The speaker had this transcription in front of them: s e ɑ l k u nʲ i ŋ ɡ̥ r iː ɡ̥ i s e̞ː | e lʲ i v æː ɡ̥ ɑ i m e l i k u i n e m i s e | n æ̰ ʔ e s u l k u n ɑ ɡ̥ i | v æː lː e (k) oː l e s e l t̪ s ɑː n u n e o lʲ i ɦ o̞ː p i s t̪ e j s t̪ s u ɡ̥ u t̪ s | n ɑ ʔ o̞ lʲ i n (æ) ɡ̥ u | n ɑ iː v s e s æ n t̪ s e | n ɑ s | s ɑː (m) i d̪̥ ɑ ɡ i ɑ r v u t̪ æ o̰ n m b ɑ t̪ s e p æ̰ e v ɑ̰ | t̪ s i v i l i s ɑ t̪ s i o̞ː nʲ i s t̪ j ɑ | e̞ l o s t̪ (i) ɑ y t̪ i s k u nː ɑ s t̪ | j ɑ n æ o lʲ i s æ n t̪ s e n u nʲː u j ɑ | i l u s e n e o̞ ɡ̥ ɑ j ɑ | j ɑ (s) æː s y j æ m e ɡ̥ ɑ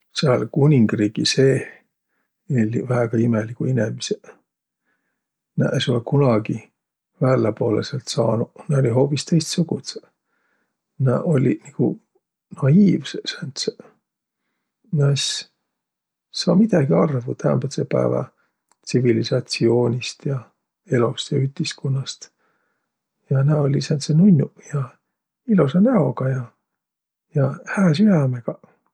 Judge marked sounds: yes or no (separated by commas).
no, no, yes, no, no